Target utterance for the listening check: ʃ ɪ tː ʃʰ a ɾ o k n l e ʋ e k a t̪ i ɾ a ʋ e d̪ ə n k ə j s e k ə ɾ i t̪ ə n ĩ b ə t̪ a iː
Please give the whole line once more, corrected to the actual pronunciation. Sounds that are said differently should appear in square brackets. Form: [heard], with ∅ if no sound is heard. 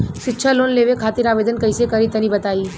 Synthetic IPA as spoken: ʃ ɪ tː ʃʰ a [l] o [∅] n l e ʋ e [kʰ] a t̪ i ɾ a ʋ e d̪ ə n k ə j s e k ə ɾ i t̪ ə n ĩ b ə t̪ a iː